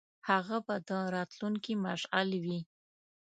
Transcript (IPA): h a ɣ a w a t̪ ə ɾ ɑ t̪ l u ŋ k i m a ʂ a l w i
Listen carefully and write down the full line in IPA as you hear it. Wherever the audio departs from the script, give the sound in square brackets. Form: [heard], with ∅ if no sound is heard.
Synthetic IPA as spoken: h a ɣ a [b] a [d̪] ə ɾ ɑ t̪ l u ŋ k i m a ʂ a l w i